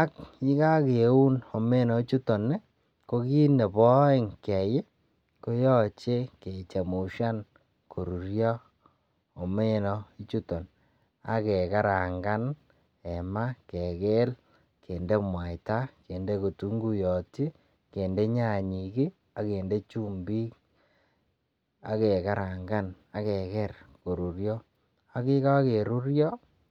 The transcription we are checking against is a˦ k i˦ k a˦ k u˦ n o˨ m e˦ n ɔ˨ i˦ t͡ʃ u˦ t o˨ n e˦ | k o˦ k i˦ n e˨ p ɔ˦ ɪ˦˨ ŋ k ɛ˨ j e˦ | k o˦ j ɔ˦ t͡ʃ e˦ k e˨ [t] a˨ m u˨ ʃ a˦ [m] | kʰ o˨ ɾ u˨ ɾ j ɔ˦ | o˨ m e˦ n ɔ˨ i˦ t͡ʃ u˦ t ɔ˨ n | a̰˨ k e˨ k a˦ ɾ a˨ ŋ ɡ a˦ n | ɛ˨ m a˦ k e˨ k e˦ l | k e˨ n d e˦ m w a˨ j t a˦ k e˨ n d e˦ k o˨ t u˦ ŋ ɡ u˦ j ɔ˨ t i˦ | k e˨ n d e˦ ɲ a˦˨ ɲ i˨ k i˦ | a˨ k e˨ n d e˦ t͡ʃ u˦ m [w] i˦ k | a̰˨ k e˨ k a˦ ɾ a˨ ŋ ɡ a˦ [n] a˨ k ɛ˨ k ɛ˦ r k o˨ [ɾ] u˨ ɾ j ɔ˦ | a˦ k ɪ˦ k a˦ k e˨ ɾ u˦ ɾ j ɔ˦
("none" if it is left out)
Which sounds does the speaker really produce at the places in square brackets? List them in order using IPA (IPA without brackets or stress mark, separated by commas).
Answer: t͡ʃ, n, b, n, ɾ